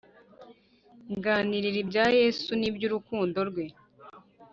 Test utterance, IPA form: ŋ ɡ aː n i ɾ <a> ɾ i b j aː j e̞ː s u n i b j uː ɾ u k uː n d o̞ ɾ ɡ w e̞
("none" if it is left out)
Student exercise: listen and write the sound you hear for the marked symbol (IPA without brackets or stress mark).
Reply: i